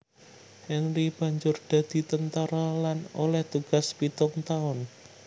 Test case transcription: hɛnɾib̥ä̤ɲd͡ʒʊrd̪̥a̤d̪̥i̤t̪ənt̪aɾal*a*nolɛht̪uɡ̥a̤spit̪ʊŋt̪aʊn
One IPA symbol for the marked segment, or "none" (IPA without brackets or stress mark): a